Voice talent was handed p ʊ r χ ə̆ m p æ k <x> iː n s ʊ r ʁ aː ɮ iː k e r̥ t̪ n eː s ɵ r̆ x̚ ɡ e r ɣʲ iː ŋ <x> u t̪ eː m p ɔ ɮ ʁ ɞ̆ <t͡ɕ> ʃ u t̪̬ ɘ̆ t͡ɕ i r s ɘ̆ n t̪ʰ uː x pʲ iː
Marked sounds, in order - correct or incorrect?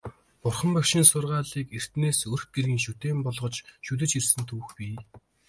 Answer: incorrect: ʃ, incorrect: ʃ, correct

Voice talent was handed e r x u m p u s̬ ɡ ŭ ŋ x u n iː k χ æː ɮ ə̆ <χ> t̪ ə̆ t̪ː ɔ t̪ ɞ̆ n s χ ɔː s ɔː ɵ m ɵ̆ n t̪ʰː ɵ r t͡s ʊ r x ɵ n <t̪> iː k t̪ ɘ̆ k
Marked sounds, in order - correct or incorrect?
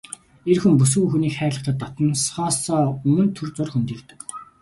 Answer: correct, correct

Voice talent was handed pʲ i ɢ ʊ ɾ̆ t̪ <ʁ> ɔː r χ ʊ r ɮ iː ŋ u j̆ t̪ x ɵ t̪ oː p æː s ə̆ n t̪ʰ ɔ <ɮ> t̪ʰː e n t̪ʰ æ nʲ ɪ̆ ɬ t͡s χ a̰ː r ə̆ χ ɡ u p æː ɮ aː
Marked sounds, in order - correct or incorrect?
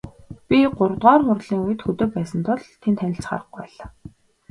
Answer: correct, correct

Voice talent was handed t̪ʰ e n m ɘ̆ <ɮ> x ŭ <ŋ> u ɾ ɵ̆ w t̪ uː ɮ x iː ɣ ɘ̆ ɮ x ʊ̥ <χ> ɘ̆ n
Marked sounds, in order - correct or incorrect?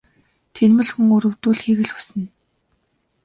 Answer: correct, correct, incorrect: s

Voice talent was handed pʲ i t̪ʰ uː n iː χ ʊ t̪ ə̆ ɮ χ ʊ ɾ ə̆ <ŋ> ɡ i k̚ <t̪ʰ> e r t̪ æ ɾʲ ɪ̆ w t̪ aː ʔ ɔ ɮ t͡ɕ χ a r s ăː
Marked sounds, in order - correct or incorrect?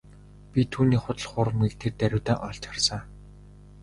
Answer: incorrect: m, correct

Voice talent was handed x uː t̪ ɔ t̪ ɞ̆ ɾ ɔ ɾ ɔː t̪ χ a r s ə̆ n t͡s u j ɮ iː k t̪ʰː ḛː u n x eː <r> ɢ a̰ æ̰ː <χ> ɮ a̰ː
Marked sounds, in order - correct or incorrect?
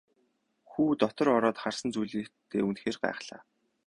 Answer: correct, correct

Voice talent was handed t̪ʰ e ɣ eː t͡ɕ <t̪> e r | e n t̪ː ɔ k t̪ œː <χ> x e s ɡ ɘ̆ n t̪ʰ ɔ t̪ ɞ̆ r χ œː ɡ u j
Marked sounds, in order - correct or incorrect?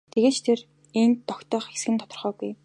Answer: incorrect: t̪ʰ, correct

